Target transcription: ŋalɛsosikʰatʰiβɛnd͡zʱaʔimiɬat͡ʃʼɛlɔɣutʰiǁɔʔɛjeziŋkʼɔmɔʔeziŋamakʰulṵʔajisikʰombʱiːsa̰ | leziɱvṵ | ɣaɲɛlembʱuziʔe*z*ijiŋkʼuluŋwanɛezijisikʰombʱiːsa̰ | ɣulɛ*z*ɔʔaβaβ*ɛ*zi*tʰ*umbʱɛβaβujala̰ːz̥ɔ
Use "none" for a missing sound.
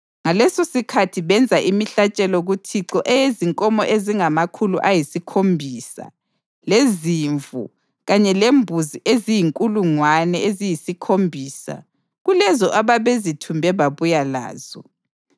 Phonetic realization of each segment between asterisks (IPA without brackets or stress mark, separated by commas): z, z, e, tʰ